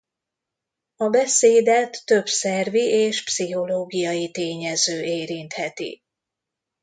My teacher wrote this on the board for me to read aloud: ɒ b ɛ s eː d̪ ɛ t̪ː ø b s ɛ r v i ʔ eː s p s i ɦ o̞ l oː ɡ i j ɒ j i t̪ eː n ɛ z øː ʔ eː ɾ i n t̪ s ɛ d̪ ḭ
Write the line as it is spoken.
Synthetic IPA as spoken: ɒ b ɛ s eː d̪ ɛ t̪ː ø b s ɛ r v i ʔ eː ʃ p s i ɦ o̞ l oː ɡ i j ɒ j i t̪ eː ɲ ɛ z øː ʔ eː ɾ i n t̪ h ɛ t̪ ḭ